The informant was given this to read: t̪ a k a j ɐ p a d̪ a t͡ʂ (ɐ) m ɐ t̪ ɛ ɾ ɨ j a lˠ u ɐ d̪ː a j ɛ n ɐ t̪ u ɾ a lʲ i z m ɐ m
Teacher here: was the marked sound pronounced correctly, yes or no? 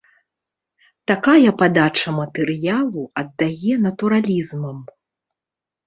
yes